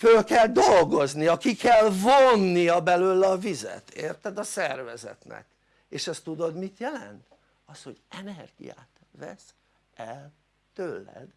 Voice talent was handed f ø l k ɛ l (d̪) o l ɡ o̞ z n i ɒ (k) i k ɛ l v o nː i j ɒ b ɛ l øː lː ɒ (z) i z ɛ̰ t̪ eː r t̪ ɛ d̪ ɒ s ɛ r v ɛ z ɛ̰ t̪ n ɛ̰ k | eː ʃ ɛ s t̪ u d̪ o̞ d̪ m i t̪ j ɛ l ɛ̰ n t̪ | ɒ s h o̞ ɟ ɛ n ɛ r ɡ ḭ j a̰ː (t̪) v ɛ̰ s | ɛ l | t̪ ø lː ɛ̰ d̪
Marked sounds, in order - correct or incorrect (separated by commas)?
correct, correct, incorrect, correct